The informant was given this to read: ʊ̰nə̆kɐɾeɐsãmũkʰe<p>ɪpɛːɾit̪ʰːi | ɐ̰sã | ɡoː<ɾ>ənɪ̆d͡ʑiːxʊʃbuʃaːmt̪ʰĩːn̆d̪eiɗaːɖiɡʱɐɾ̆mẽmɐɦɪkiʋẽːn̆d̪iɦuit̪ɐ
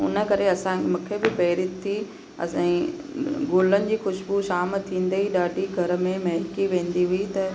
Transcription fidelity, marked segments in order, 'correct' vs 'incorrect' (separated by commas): incorrect, incorrect